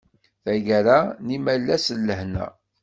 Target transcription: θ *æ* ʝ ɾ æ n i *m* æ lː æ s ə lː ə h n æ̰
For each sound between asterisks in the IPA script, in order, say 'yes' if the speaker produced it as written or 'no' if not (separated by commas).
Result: yes, yes